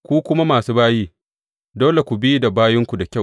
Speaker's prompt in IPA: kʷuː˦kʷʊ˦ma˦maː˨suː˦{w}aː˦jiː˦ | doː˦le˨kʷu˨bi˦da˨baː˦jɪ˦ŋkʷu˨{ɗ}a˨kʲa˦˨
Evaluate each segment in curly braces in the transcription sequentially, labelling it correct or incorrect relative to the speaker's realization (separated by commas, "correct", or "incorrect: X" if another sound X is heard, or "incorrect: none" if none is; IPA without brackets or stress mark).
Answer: incorrect: b, incorrect: d